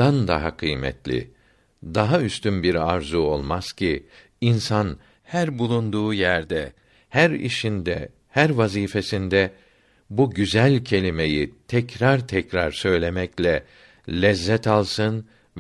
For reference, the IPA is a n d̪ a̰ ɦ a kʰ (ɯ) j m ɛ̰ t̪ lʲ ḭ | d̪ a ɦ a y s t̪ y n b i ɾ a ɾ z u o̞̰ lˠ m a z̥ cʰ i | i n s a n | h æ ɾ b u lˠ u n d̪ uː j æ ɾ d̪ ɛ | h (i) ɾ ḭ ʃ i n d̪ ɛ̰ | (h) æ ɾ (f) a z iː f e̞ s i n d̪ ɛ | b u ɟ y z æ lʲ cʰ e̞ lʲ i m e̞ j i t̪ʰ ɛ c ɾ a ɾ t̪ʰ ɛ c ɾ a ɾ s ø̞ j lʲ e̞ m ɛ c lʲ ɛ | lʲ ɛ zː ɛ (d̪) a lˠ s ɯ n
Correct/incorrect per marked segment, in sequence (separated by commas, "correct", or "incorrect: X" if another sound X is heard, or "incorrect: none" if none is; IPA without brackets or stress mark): correct, incorrect: æ, correct, incorrect: v, incorrect: t̪